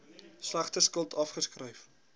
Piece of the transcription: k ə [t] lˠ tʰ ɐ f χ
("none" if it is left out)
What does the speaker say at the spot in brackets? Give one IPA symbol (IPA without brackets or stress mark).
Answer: none